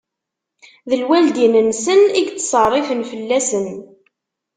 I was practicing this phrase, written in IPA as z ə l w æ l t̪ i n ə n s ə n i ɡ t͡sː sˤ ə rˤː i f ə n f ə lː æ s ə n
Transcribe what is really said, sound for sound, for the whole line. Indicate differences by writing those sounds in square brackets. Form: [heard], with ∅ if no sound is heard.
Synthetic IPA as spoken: [ð] ə l w æ l [d̪] i n ə n s ə n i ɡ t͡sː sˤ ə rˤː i f ə n f ə lː æ s ə n